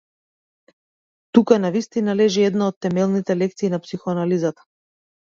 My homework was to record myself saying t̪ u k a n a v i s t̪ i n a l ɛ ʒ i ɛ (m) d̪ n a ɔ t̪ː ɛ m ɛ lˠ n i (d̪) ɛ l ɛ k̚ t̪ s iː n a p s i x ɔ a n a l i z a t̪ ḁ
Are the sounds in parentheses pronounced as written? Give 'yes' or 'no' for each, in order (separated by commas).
no, no